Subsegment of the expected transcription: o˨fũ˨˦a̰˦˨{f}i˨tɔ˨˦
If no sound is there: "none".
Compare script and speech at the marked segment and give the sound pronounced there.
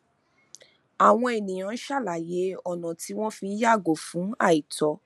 none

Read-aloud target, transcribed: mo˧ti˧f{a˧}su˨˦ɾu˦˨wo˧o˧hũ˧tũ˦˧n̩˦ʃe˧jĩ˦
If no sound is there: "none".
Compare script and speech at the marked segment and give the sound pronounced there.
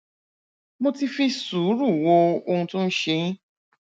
i˧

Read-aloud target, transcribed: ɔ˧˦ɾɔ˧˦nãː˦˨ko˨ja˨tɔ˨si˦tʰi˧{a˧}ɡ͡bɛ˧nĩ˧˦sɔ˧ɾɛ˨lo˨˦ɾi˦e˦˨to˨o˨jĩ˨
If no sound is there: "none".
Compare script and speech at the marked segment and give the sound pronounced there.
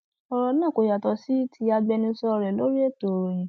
a˧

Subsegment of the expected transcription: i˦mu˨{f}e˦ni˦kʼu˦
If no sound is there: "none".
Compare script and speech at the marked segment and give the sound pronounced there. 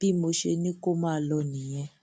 ʃ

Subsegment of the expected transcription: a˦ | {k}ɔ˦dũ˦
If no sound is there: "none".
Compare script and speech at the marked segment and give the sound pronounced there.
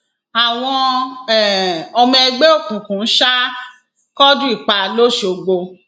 k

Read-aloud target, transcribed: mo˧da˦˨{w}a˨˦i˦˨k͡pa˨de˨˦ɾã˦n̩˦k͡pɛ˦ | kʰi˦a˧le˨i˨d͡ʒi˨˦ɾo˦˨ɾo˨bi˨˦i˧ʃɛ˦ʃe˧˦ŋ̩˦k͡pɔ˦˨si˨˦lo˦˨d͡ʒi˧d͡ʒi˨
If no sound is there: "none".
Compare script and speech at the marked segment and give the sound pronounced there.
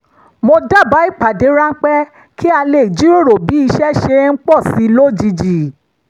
b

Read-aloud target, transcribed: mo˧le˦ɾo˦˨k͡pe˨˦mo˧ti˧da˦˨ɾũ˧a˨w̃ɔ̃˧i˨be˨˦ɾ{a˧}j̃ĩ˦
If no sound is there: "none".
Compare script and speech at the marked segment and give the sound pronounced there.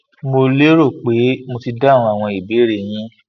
e˧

